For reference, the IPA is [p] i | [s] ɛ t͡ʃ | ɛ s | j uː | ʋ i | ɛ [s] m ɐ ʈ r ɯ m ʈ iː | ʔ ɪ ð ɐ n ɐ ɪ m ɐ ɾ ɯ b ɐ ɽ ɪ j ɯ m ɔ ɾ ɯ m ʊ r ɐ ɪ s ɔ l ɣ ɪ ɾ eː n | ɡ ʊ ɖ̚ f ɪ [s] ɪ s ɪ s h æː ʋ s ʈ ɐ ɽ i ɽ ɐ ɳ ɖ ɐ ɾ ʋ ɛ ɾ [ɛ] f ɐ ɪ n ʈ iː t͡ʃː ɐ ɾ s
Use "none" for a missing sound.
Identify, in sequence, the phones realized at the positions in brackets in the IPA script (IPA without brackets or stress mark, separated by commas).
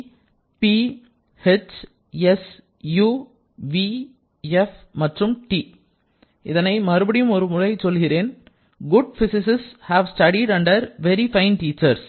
p, h, f, s, i